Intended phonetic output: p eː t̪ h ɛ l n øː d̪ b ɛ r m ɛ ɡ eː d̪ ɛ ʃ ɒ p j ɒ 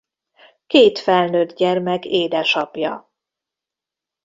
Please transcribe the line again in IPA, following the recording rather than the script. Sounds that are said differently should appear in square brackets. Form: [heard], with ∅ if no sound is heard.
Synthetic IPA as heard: [k] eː t̪ [f] ɛ l n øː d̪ [ɟ] ɛ r m ɛ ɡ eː d̪ ɛ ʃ ɒ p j ɒ